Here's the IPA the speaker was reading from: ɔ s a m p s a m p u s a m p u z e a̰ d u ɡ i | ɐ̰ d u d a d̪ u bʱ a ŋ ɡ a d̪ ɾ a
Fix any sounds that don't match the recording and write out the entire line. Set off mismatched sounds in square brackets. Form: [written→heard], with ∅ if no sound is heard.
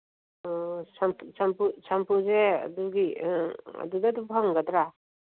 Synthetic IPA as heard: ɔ s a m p s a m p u s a m p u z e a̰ d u ɡ i | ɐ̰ d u d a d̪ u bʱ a ŋ ɡ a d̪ ɾ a

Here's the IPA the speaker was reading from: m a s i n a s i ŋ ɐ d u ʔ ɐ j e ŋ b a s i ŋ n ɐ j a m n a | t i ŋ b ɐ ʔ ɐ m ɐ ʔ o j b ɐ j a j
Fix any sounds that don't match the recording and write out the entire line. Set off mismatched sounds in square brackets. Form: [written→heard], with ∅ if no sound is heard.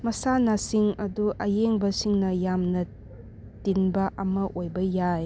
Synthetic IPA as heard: m [a→ɐ] s [i→a] n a s i ŋ ɐ d u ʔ ɐ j e ŋ b [a→ɐ] s i ŋ n ɐ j a m n [a→ɐ] | t i [ŋ→n] b ɐ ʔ ɐ m ɐ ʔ o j b ɐ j a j

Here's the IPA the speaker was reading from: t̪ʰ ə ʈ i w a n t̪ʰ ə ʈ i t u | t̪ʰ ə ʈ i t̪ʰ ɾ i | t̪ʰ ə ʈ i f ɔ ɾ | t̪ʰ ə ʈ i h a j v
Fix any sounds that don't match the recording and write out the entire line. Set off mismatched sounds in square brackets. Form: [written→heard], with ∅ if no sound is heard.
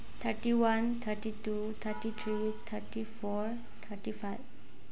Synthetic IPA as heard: t̪ʰ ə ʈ i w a n t̪ʰ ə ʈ i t u | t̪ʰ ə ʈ i t̪ʰ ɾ i | t̪ʰ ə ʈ i f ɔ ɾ | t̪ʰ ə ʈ i [h→f] a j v

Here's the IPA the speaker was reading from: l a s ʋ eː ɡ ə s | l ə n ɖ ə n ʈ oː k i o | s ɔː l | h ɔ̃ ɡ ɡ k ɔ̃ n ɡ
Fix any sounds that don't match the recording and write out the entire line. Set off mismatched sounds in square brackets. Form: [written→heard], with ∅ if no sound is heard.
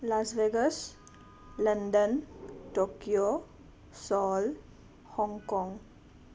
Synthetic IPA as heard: l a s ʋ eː ɡ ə s | l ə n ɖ ə n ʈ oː k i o | s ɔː l | h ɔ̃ [ɡ→ŋ] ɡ k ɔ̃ [n→ŋ] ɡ

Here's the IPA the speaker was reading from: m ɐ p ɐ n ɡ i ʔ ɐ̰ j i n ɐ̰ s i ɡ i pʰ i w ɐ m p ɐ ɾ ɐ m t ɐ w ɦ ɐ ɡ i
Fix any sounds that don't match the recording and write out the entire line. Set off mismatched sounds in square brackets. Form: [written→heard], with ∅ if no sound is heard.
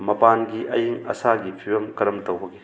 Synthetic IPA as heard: m ɐ p [ɐ→a] n ɡ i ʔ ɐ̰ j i [n→ŋ] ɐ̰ s [i→a] ɡ i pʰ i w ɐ m [p→k] ɐ ɾ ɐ m t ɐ w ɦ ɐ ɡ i

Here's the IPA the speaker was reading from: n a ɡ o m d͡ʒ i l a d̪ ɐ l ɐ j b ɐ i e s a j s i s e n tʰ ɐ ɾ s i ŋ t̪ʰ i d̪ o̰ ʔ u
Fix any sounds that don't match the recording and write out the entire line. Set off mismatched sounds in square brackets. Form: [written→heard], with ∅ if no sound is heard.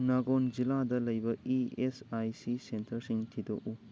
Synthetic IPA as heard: n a ɡ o [m→n] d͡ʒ i l a d̪ ɐ l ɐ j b ɐ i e s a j s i s e n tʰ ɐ ɾ s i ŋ t̪ʰ i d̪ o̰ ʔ u

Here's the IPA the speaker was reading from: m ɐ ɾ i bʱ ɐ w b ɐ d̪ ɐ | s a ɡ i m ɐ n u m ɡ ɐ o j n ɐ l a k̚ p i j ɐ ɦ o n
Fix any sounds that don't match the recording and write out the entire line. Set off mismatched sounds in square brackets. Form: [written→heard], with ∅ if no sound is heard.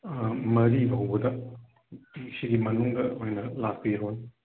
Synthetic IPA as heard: m ɐ ɾ i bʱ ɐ w b ɐ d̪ ɐ | s [a→i] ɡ i m ɐ n u [m→ŋ] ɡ ɐ o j n ɐ l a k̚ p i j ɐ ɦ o n

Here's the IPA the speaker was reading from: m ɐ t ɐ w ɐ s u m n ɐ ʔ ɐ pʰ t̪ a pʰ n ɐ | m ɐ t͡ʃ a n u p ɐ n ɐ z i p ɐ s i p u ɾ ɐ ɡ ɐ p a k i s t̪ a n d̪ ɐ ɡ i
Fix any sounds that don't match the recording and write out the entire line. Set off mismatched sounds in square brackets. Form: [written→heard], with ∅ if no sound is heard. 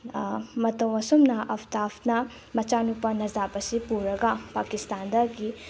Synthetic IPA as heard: m ɐ t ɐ w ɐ s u m n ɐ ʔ ɐ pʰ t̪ a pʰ n ɐ | m ɐ t͡ʃ a n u p ɐ n ɐ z [i→a] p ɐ s i p u ɾ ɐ ɡ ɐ p a k i s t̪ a n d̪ ɐ ɡ i

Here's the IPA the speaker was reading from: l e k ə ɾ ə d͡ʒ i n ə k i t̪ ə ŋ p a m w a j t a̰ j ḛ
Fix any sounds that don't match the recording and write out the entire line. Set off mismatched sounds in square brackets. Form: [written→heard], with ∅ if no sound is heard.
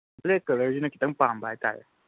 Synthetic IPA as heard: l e k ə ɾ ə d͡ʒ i n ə k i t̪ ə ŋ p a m [w→b] a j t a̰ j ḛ

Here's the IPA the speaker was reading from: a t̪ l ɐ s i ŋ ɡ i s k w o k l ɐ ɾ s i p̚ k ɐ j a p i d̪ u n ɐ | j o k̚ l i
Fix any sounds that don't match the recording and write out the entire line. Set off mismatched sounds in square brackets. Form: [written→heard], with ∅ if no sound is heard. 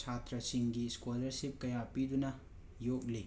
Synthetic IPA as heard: a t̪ [l→ɾ] ɐ s i ŋ ɡ i s k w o [k→∅] l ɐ ɾ s i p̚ k ɐ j a p i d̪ u n ɐ | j o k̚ l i

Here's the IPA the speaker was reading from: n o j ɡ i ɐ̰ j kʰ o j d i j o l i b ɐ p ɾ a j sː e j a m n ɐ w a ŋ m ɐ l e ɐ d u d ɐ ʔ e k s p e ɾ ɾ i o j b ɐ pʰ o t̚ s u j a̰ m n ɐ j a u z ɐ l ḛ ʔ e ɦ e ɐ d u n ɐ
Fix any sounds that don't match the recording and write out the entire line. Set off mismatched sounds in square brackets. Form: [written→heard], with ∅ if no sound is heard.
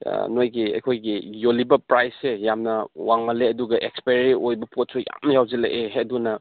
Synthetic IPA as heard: n o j ɡ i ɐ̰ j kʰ o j [d→ɡ] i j o l i b ɐ p ɾ a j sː e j a m n ɐ w a ŋ m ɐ l e ɐ d u [d→ɡ] ɐ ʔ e k s p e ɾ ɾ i o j b ɐ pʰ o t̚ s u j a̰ m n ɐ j a [u→w] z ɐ l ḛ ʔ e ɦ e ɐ d u n ɐ

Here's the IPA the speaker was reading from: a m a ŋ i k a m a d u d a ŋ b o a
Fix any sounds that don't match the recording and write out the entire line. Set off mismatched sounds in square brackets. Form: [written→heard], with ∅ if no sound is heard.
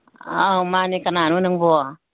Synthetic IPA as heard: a m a [ŋ→n] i k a [m→n] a [d→n] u [d→n] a ŋ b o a

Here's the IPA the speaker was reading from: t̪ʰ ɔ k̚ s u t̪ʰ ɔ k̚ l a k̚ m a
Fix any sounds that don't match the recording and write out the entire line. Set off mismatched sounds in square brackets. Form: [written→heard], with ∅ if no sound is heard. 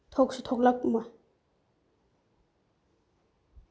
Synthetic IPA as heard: t̪ʰ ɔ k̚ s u t̪ʰ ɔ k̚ l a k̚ m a

